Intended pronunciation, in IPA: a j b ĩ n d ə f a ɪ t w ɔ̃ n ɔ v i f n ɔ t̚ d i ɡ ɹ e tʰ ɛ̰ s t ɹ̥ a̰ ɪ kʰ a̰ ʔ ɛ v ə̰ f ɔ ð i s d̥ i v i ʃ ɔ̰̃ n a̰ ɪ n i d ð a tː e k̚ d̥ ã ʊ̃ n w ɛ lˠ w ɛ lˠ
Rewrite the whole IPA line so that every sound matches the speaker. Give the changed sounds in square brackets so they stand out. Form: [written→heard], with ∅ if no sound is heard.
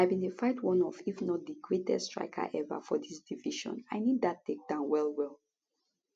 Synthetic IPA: a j b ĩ n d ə f a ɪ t w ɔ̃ n ɔ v i f n ɔ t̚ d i ɡ ɹ e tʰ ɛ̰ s t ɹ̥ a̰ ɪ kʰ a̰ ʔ ɛ v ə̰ f ɔ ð i s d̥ i v i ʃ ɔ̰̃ n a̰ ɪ n i d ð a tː e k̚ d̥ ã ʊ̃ n w ɛ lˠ w ɛ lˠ